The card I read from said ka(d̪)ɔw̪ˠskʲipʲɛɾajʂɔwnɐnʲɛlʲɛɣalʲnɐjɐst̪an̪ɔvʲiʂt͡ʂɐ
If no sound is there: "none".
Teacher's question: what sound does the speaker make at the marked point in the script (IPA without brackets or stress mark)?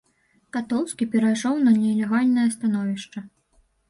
t̪